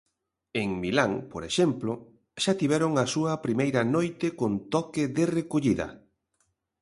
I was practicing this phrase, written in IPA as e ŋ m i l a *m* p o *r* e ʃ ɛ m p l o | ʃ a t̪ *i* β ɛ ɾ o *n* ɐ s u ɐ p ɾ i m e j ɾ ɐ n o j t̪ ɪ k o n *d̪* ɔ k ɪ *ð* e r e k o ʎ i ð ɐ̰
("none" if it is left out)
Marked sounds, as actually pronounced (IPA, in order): ŋ, ɾ, i, ŋ, t̪, ð

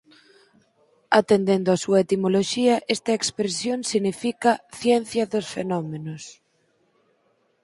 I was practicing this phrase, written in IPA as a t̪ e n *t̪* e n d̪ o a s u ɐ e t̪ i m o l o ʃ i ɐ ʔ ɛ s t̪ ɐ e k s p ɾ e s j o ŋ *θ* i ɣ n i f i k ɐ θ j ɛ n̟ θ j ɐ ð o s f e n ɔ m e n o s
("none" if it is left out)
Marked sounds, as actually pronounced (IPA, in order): d̪, s

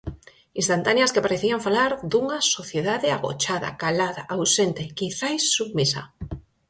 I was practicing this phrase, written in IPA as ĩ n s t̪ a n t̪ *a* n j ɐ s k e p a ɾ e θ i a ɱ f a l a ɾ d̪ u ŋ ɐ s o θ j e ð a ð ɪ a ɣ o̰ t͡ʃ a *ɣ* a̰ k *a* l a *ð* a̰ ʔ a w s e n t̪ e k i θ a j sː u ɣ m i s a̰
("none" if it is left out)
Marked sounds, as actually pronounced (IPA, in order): a, ð, a, ð

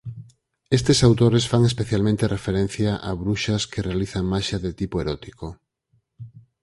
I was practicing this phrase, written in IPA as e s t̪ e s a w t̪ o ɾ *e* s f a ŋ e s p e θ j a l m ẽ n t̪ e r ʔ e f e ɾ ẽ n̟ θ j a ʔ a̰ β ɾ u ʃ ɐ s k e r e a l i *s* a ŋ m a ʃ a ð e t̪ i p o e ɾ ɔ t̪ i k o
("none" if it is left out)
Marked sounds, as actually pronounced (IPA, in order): e, θ

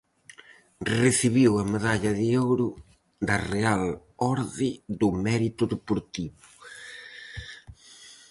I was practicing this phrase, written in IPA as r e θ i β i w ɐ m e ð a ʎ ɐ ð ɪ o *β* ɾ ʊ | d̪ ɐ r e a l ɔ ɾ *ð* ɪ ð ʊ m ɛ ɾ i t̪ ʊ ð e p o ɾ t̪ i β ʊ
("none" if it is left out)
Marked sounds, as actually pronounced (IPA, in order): w, ð

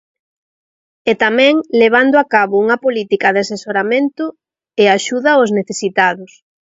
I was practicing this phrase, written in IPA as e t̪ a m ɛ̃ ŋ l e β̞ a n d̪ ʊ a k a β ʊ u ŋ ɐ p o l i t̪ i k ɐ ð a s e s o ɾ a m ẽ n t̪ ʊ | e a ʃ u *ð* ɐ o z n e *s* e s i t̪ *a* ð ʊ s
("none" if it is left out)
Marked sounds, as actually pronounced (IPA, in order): ð, θ, a

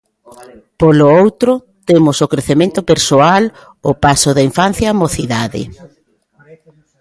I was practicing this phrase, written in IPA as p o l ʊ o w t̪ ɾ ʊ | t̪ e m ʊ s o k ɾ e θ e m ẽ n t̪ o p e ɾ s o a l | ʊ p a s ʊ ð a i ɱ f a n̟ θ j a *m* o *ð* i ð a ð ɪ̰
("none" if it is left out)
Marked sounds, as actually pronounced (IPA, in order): m, θ

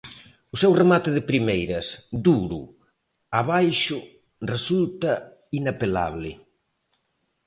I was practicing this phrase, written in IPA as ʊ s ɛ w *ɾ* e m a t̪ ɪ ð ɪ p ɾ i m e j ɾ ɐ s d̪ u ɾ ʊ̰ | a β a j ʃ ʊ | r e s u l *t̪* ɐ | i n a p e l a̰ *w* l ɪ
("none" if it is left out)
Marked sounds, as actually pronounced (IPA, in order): r, t̪, β

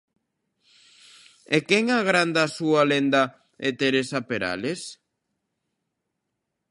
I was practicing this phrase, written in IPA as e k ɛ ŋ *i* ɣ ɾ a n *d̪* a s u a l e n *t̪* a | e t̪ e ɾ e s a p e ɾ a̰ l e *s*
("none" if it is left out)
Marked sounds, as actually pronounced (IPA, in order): a, d̪, d̪, s

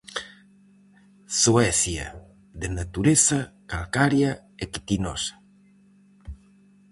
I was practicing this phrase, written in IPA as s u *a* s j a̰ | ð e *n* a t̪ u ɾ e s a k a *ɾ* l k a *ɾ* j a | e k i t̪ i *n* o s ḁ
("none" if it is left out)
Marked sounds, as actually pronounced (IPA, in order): ɛ, n, none, ɾ, n

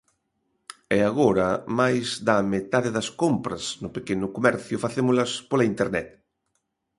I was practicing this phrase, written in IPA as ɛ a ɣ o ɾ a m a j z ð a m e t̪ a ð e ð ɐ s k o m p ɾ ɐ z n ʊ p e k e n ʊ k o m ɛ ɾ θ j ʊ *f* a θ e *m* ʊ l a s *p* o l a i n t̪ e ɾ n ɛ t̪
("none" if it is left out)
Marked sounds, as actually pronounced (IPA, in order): f, m, p

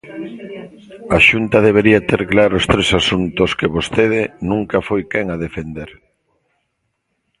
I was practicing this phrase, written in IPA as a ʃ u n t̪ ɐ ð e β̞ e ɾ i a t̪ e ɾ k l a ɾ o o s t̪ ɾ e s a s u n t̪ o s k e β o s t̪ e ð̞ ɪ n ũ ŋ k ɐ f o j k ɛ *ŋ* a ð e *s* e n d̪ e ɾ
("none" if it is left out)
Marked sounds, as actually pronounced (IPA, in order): ŋ, f

